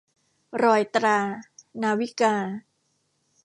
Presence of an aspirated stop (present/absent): absent